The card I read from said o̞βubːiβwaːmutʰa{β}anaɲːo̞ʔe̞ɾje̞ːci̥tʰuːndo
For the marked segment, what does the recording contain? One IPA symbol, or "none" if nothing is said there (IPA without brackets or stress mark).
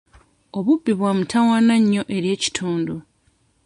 w